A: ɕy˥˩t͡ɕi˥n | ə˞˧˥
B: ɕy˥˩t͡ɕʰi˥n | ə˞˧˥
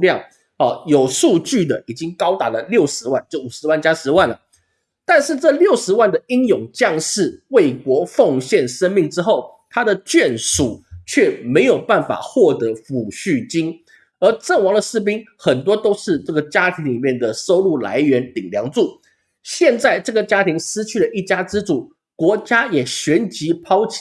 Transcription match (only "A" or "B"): A